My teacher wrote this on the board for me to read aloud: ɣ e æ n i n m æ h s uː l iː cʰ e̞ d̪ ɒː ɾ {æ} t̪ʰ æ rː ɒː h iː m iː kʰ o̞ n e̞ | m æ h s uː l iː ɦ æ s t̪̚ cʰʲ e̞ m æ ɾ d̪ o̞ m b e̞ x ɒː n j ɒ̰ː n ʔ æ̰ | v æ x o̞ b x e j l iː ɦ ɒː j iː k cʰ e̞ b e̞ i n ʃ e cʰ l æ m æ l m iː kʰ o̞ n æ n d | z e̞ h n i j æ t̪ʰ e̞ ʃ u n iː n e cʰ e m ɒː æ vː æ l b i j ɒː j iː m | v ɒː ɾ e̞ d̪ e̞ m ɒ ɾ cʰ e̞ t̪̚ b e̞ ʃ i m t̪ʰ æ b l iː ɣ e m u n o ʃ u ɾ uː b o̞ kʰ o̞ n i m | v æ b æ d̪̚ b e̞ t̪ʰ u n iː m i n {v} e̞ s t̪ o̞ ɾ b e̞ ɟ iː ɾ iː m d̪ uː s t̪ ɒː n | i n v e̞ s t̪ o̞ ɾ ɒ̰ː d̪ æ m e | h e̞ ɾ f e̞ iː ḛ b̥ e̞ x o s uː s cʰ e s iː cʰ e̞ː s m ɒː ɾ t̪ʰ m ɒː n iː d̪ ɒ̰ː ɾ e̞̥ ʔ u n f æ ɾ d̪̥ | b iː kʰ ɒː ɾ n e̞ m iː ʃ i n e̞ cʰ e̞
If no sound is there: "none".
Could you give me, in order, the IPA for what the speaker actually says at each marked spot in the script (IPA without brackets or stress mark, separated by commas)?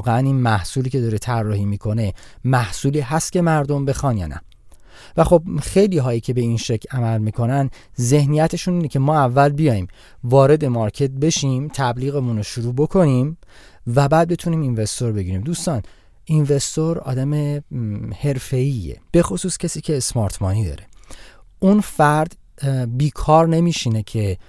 e, v